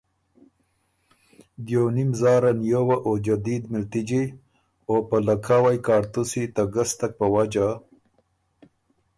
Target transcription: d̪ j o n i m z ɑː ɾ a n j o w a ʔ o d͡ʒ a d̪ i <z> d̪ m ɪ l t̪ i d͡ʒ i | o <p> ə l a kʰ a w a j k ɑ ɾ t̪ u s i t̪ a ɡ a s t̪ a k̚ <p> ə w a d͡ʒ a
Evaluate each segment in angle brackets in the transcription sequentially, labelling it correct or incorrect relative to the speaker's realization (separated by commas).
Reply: incorrect, correct, correct